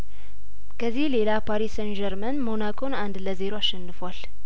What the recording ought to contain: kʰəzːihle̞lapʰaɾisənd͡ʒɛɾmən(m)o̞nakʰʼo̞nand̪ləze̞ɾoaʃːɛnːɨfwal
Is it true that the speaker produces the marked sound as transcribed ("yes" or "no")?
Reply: yes